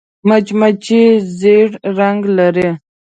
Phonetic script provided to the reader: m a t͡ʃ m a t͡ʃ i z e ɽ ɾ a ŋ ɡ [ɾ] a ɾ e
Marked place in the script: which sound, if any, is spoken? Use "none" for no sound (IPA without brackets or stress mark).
l